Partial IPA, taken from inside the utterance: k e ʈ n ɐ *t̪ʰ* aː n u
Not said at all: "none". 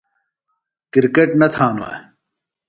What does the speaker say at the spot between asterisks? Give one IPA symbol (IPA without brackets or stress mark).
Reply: t̪ʰ